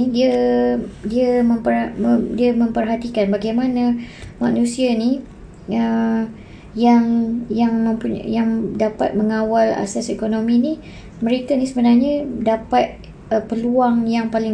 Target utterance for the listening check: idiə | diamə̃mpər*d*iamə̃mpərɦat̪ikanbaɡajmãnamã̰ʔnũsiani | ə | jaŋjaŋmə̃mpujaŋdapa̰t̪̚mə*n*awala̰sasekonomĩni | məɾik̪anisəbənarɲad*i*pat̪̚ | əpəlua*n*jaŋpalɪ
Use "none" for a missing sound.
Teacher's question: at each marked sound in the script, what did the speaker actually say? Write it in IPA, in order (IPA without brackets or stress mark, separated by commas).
d, ŋ, a, ŋ